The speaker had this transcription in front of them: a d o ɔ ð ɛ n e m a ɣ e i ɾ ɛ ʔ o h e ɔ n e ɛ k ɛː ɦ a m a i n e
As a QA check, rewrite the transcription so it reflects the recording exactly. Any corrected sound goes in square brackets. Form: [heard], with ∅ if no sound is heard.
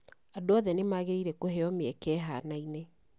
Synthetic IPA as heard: a d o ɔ ð ɛ n e m a ɣ e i ɾ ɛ [k] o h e ɔ [m] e ɛ k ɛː ɦ a [n] a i n e